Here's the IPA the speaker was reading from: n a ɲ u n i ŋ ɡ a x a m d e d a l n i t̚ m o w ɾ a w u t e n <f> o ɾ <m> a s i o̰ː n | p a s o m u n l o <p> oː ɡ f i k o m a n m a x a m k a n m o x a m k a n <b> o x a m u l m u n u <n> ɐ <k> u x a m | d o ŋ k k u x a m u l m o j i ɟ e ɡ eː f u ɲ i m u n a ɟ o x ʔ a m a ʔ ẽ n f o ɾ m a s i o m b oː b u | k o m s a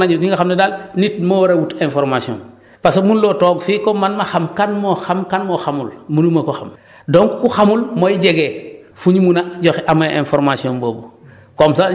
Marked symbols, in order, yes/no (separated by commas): yes, yes, no, no, no, yes